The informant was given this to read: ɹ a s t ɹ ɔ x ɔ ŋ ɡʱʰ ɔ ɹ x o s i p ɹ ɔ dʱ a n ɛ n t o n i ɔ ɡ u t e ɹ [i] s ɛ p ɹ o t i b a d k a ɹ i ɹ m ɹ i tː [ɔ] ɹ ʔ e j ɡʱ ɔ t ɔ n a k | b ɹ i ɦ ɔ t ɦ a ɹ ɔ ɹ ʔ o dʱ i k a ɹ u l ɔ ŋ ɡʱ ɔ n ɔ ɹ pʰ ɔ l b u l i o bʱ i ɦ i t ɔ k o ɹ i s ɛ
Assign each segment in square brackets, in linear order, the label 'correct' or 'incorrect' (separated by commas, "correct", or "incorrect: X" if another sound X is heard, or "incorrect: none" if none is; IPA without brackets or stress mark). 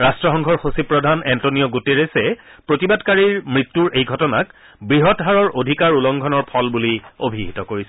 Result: incorrect: e, incorrect: u